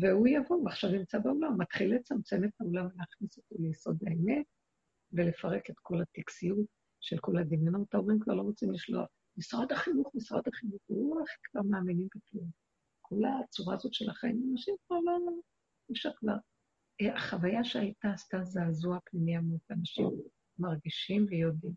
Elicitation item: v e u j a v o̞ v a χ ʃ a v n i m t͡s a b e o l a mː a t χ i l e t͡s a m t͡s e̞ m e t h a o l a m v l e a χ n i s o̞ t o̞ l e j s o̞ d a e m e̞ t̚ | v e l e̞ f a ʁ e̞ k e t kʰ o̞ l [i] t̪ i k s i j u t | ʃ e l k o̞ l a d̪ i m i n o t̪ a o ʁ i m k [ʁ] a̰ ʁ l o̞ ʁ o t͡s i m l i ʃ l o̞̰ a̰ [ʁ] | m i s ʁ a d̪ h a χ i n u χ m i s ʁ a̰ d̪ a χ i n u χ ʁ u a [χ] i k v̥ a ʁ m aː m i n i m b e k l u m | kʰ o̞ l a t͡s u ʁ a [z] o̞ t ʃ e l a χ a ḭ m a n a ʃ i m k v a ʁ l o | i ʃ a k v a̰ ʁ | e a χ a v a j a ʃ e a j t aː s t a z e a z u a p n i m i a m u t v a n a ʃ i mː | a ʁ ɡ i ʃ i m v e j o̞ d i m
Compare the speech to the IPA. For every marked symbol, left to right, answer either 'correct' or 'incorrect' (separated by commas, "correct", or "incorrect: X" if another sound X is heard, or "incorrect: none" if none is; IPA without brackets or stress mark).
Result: incorrect: a, incorrect: v, incorrect: χ, correct, correct